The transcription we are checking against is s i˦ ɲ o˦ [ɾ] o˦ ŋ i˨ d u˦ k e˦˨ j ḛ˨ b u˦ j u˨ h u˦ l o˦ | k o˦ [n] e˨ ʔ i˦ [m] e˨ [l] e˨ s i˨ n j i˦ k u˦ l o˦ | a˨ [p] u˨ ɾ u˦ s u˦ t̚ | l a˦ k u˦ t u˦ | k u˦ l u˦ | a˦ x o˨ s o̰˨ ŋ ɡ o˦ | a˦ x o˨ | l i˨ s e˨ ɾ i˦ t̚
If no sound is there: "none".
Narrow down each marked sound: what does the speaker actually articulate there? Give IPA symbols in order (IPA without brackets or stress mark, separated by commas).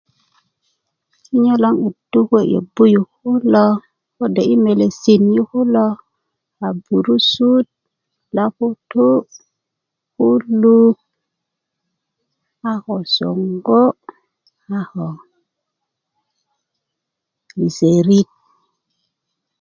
l, d, m, l, b